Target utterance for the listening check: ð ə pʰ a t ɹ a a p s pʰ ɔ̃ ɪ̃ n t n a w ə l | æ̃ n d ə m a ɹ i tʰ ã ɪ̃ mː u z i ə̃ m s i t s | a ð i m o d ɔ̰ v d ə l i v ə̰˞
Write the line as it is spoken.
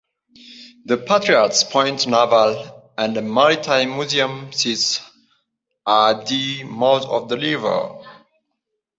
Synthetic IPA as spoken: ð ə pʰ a t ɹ i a t s pʰ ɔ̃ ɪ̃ n t n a v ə l | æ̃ n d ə m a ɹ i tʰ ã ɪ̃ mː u z i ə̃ m s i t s | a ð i m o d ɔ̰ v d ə l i v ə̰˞

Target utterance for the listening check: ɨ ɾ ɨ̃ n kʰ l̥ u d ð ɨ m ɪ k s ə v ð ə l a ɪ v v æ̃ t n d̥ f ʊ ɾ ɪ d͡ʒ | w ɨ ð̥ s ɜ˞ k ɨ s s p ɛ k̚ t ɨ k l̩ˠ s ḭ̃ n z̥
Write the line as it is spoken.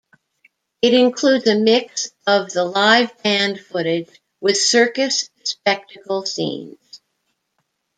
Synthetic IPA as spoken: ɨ ɾ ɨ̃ n kʰ l̥ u d z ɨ m ɪ k s ʌ v ð ə l a ɪ v b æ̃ n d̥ f ʊ ɾ ɪ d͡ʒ | w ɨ ð̥ s ɜ˞ k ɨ s s p ɛ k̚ t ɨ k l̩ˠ s ḭ̃ n z̥

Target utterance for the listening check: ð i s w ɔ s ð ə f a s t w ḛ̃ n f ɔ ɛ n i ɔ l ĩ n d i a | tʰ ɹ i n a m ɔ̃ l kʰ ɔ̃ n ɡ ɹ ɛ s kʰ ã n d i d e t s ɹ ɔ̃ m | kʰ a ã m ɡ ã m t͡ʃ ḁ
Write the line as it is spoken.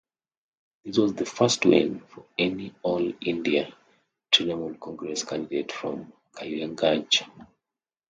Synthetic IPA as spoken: ð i s w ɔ z ð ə f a s t w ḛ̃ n f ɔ ɛ n i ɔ l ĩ n d i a | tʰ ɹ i n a m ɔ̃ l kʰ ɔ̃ ŋ ɡ ɹ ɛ s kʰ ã n d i d e t f ɹ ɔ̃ m | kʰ a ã ŋ ɡ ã n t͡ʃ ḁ

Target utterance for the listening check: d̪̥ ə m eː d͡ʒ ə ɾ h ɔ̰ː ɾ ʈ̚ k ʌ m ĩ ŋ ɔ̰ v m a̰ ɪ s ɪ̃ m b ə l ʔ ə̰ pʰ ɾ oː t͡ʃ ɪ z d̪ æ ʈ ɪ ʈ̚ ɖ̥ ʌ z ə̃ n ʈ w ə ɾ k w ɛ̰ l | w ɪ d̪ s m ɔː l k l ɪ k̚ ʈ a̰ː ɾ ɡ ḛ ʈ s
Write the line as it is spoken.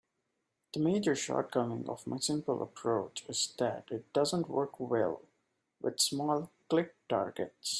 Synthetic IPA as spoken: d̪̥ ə m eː d͡ʒ ə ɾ ʃ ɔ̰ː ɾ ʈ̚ k ʌ m ɪ̃ ŋ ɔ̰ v m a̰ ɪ s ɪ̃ m p ə l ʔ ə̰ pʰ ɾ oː t͡ʃ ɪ z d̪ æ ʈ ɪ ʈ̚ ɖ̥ ʌ z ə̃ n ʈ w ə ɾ k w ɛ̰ l | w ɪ d̪ s m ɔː l k l ɪ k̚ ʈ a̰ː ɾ ɡ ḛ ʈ s

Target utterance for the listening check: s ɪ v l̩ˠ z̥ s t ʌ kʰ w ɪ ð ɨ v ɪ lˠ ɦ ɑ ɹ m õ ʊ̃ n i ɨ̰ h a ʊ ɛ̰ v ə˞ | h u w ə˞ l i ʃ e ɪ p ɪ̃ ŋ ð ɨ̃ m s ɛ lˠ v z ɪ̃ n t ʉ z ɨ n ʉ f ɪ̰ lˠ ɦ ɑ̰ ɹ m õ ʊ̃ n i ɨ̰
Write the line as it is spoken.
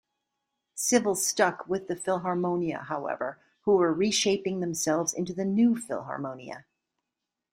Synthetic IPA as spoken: s ɪ v l̩ˠ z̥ s t ʌ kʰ w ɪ ð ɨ f ɪ lˠ ɦ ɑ ɹ m õ ʊ̃ n i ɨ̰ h a ʊ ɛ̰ v ə˞ | h u w ə˞ ɹ i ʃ e ɪ p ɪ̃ ŋ ð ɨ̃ m s ɛ lˠ v z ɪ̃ n t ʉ ð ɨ n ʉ f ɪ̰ lˠ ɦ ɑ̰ ɹ m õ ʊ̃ n i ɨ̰

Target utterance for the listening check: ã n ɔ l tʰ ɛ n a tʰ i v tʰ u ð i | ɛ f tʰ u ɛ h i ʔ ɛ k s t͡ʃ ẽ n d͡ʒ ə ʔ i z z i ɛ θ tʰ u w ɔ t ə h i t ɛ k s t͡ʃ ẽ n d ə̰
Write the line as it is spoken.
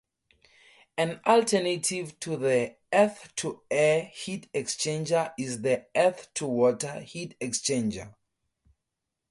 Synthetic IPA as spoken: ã n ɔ l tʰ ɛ n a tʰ i v tʰ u ð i | ɛ θ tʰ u ɛ h i t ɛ k s t͡ʃ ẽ n d͡ʒ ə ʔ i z ð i ɛ θ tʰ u w ɔ t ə h i t ɛ k s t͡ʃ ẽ n d͡ʒ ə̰

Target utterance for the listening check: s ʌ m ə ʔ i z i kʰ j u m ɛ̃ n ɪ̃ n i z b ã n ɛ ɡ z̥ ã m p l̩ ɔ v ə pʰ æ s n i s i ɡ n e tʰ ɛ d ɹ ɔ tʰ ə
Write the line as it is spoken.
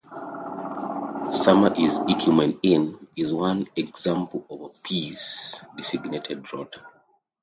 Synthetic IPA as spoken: s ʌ m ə ʔ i z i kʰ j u m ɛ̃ n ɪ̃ n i z w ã n ɛ ɡ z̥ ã m p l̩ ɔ v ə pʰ i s d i s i ɡ n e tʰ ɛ d ɹ ɔ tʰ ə

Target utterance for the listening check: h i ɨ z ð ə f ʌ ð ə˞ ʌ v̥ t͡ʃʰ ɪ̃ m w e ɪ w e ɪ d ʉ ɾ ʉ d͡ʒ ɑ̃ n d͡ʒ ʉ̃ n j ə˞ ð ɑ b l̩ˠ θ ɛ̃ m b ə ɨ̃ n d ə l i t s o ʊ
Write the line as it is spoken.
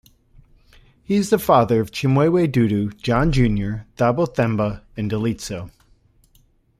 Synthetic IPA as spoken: h i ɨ z ð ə f ɑ ð ə˞ ʌ v̥ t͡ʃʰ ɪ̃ m w e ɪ w e ɪ d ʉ ɾ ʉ d͡ʒ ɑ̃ n d͡ʒ ʉ̃ n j ə˞ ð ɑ b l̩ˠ θ ɛ̃ m b ə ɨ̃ n d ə l i t s o ʊ

